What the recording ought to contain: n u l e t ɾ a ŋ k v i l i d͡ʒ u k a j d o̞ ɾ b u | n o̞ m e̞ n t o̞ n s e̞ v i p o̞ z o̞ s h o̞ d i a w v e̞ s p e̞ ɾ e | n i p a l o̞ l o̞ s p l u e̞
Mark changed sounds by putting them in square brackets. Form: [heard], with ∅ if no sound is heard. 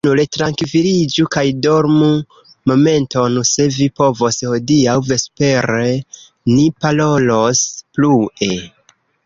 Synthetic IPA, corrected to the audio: n u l e t ɾ a ŋ k v i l i d͡ʒ u k a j d o̞ ɾ [m] u | [m] o̞ m e̞ n t o̞ n s e̞ v i p o̞ [v] o̞ s h o̞ d i a w v e̞ s p e̞ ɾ e | n i p a l o̞ l o̞ s p l u e̞